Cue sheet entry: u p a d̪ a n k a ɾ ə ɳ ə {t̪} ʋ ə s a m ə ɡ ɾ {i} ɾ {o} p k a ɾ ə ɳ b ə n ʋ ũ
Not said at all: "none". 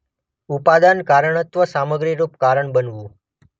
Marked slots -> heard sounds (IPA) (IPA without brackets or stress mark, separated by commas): t̪, i, u